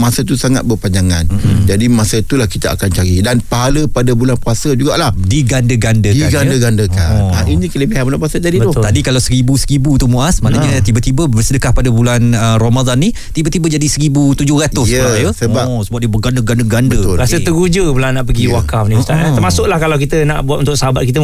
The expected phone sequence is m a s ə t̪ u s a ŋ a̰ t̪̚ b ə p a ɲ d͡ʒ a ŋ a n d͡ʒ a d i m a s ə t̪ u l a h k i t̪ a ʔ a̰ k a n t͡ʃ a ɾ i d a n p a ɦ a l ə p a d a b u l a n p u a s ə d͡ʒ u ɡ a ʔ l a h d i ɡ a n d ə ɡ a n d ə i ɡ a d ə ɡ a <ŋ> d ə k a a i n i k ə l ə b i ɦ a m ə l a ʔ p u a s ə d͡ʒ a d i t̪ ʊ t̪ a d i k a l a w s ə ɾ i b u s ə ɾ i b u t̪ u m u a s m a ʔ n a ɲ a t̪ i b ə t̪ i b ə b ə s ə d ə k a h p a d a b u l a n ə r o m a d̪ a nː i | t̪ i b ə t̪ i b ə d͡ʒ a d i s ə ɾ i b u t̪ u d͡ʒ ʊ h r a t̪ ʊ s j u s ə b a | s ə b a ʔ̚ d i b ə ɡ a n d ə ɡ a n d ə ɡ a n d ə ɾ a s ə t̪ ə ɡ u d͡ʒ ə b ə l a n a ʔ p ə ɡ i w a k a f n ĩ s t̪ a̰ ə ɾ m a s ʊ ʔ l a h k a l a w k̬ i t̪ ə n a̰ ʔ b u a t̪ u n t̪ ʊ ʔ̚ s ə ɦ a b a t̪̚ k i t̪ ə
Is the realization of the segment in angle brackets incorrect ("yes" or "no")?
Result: yes